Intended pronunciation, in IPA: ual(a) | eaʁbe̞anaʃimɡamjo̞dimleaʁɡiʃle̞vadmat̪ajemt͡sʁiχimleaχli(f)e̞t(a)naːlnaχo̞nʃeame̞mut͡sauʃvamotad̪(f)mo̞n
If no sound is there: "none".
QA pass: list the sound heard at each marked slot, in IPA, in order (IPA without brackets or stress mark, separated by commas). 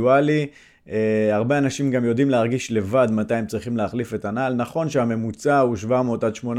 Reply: i, f, a, ʃ